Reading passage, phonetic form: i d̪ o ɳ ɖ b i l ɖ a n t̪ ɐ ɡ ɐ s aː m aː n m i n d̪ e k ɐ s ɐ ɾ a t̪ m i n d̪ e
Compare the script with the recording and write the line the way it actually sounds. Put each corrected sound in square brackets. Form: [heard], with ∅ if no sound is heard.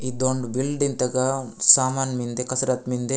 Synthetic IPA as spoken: i d̪ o ɳ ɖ b i l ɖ [i] n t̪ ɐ ɡ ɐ s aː m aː n m i n d̪ e k ɐ s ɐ ɾ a t̪ m i n d̪ e